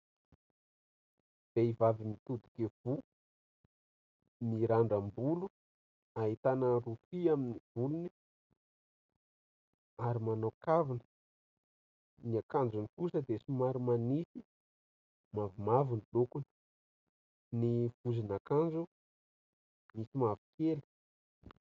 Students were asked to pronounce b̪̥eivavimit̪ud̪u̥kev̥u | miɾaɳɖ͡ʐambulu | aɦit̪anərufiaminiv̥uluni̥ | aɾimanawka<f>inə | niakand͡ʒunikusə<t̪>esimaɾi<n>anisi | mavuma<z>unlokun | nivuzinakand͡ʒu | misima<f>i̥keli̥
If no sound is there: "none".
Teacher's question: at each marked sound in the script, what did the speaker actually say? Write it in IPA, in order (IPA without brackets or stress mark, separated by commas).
v, d̪, m, v, v